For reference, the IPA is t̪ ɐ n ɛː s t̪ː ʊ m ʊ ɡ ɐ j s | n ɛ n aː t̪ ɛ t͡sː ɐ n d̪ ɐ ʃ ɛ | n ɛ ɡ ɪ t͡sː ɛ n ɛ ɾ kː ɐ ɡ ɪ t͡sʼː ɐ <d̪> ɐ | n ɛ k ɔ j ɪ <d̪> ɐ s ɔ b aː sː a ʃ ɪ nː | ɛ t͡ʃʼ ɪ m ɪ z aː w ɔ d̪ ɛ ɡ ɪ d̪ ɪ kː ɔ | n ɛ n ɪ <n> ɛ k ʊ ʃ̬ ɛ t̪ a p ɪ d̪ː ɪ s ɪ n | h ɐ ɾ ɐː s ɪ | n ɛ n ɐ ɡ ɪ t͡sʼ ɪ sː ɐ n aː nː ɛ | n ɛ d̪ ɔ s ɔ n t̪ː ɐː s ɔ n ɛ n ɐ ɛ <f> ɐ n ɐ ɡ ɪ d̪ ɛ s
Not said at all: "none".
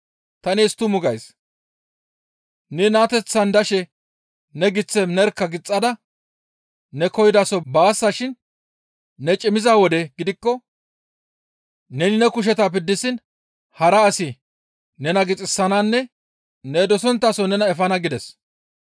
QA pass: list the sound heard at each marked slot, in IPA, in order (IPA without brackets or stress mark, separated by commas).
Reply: d̪, d̪, n, f